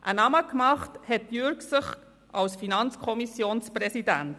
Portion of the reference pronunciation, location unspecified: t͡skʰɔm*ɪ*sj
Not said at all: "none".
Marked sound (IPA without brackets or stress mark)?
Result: i